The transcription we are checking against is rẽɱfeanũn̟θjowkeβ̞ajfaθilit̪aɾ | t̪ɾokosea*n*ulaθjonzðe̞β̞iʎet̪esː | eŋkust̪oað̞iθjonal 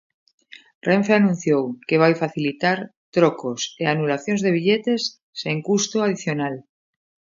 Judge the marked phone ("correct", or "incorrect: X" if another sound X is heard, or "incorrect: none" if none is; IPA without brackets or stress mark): correct